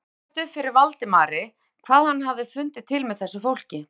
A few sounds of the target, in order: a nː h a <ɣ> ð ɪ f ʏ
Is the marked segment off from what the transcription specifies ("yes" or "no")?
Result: yes